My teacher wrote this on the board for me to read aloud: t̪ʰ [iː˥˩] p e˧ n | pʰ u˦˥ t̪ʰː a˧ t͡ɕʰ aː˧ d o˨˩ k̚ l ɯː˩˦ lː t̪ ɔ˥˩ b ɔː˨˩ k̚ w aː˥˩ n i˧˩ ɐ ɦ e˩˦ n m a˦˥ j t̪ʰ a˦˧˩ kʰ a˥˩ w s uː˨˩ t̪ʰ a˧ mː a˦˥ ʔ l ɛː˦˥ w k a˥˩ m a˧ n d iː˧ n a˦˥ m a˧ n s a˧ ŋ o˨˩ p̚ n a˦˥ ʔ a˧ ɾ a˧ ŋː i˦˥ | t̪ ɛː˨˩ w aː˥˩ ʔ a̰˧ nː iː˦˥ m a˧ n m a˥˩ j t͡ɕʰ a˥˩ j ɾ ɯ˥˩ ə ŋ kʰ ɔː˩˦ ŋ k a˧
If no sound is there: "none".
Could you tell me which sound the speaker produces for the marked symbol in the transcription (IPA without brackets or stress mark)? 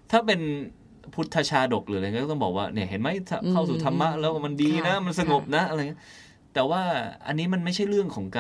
aː˥˩